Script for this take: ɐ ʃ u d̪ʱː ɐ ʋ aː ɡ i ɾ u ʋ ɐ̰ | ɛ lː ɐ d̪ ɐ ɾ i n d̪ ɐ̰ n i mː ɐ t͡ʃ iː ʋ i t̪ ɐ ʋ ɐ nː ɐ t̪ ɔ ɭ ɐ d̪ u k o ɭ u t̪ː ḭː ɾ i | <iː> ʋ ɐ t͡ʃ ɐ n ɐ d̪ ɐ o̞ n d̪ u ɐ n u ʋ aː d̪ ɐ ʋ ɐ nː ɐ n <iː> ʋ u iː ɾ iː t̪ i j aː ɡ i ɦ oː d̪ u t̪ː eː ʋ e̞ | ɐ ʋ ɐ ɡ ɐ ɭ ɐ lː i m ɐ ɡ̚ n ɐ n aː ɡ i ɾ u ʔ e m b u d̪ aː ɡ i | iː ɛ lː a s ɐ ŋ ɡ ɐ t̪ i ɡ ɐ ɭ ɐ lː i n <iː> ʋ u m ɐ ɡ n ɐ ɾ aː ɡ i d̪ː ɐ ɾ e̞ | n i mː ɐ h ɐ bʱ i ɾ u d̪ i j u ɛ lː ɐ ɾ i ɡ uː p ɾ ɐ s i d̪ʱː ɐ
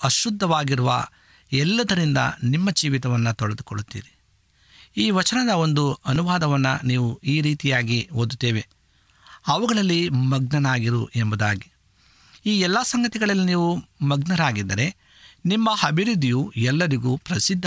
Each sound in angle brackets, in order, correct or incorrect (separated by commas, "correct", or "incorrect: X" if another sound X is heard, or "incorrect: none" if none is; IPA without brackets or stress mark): correct, correct, correct